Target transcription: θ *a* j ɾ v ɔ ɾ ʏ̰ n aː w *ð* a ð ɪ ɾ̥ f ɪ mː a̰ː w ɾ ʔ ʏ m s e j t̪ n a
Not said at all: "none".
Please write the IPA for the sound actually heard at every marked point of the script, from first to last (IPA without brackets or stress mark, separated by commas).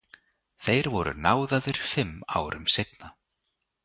e, ð